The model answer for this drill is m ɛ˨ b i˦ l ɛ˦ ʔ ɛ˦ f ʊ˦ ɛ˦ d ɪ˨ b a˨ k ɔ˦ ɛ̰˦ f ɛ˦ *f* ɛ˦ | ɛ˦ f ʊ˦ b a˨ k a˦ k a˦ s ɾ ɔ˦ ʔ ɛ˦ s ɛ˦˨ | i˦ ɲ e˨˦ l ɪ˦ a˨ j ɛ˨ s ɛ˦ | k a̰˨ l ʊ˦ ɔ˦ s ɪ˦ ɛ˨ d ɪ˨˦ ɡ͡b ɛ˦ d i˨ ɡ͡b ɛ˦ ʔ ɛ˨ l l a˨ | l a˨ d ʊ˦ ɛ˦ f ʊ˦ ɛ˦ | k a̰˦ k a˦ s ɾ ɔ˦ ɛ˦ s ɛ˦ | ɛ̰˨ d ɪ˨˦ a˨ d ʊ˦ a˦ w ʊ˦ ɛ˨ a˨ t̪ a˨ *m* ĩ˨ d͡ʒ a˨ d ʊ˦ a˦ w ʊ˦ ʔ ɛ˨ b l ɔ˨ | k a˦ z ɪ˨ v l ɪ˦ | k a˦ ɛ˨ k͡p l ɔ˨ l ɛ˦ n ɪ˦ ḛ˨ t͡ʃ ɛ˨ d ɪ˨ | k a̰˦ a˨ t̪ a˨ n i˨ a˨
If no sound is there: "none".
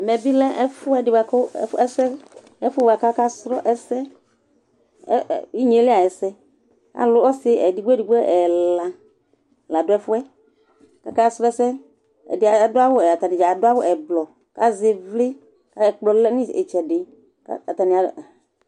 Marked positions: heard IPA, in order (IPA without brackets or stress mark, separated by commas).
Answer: s, n